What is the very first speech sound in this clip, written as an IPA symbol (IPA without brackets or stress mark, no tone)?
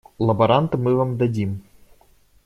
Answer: lˠ